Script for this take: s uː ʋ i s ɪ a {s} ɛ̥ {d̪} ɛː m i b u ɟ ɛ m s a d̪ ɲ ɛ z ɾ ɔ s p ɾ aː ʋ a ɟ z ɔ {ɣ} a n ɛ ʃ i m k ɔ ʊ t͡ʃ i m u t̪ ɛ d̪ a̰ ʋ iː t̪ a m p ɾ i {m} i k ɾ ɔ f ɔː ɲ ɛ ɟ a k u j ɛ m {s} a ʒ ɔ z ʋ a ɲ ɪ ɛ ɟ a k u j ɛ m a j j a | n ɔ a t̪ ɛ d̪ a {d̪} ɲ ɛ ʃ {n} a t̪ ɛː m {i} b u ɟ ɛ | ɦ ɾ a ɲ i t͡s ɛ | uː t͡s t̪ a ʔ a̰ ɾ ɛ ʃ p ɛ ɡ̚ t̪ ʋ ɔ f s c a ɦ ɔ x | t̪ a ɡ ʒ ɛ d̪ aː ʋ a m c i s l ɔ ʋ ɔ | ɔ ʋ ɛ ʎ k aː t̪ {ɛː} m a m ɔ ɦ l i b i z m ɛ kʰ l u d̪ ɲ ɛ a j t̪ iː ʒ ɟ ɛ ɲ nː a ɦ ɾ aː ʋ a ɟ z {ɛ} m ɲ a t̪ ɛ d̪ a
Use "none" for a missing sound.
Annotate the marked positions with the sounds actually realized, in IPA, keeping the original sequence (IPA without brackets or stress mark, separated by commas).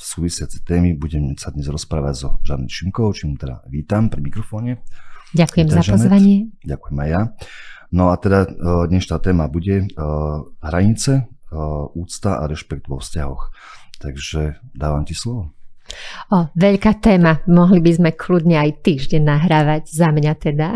t͡s, t̪, ʒ, m, z, d̪, n, a, ɛː, a